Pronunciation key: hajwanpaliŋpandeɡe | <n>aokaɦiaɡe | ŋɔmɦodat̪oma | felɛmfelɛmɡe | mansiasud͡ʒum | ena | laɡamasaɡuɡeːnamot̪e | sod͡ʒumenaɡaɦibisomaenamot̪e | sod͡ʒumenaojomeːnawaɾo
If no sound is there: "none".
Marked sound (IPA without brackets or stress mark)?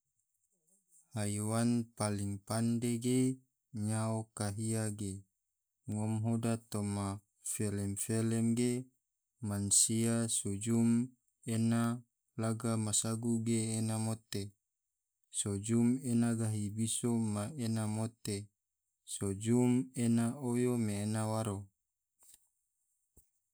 ɲ